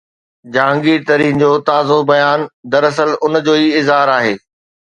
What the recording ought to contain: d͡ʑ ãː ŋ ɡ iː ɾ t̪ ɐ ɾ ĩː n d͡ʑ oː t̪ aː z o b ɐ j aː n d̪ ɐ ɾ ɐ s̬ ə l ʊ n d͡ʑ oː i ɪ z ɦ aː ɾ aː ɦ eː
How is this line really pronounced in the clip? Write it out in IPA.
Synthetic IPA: d͡ʑ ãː ŋ ɡ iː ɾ t̪ ɐ ɾ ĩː n d͡ʑ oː t̪ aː z o b ɐ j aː n d̪ ɐ ɾ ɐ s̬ ə l ʊ n d͡ʑ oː i ɪ z ɦ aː ɾ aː ɦ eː